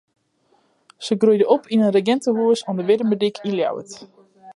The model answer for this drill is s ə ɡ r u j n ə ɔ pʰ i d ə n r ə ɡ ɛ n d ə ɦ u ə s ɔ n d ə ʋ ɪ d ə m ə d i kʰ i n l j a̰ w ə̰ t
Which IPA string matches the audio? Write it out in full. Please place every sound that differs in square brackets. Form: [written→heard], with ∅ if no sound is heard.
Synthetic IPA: s ə ɡ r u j [n→d] ə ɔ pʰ i [d→n] ə n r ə ɡ ɛ n [d→t] ə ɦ u ə s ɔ n d ə ʋ ɪ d ə m ə d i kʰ i n l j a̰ w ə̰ t